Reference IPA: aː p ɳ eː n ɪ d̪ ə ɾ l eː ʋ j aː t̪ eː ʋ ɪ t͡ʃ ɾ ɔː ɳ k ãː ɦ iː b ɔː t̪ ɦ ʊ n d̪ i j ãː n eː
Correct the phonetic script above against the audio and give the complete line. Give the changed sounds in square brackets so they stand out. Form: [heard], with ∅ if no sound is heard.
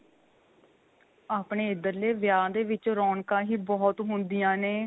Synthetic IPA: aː p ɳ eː [∅] ɪ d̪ ə ɾ l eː ʋ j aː [d̪] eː ʋ ɪ t͡ʃ ɾ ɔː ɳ k ãː ɦ iː b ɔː t̪ ɦ ʊ n d̪ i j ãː n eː